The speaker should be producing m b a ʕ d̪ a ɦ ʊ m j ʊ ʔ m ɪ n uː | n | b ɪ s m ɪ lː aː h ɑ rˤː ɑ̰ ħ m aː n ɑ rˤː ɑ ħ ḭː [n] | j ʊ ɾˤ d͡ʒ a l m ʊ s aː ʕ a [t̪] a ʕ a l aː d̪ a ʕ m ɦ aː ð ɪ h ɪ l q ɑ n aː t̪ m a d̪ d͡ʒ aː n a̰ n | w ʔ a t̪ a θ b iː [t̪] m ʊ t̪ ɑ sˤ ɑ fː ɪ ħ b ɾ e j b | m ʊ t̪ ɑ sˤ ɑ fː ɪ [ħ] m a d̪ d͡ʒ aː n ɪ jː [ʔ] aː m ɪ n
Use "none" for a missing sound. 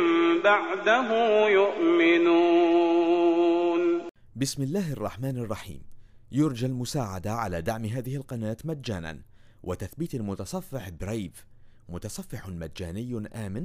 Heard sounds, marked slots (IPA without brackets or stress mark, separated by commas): m, d̪, t̪, ħ, ʔ